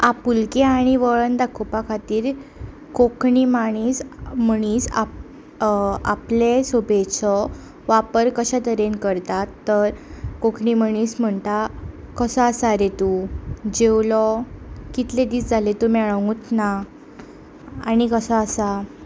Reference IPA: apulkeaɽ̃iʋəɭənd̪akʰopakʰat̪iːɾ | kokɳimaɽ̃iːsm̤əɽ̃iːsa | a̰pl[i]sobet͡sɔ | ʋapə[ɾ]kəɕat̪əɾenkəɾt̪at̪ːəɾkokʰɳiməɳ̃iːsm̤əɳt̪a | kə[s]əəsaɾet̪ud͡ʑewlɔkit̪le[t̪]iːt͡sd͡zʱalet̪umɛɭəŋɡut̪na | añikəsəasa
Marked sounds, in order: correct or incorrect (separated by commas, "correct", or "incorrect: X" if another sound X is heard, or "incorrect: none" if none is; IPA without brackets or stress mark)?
incorrect: e, correct, correct, incorrect: d̪